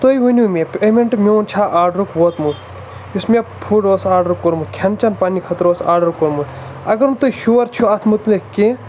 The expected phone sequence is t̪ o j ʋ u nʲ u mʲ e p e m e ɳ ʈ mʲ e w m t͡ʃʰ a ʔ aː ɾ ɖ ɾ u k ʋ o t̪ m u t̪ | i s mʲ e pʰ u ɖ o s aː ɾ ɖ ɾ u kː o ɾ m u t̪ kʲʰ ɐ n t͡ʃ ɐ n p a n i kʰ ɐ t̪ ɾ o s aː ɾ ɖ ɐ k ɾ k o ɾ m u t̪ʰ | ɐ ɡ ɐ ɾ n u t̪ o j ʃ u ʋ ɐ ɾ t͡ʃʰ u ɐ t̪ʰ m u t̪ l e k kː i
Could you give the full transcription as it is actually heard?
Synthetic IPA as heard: t̪ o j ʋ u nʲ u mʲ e p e m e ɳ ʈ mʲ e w n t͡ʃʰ a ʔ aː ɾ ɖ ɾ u k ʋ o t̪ m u t̪ | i s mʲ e pʰ u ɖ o s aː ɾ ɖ ɾ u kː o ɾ m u t̪ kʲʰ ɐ n t͡ʃ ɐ n p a n i kʰ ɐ t̪ ɾ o s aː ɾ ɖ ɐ ɾ k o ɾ m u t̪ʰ | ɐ ɡ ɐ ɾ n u t̪ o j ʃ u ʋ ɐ ɾ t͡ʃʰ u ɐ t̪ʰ m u t̪ l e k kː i